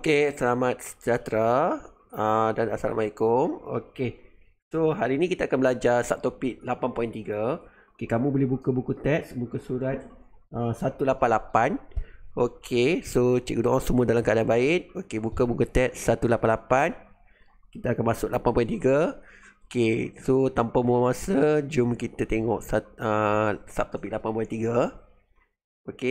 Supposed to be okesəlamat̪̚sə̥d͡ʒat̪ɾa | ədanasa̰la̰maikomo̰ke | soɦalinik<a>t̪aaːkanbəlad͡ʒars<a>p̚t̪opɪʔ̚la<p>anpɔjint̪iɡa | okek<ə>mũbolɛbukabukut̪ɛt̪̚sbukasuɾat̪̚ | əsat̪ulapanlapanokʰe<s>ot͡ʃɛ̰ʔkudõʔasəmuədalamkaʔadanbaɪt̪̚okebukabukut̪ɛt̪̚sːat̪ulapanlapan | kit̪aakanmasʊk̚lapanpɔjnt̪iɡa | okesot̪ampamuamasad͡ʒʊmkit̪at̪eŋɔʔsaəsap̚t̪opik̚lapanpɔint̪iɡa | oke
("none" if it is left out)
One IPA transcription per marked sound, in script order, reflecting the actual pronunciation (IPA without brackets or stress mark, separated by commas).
i, a, p, a, s